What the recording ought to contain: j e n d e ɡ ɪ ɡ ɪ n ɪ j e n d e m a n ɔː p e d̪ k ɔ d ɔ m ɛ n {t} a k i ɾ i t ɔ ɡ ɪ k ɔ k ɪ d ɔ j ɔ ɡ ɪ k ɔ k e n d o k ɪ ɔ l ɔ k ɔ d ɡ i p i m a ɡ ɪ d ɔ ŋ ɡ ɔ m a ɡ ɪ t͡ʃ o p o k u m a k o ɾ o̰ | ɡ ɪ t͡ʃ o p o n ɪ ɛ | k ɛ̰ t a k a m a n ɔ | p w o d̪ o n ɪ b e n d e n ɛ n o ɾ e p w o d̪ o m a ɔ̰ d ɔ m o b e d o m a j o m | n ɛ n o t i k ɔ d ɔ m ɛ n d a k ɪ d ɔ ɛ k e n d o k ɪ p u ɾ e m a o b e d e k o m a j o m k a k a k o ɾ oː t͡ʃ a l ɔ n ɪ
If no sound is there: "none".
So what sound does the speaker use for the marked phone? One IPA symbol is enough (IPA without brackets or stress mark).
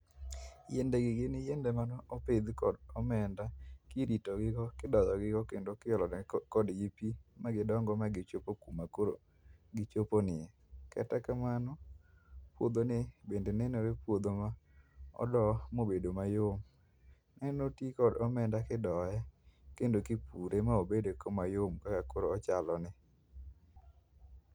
d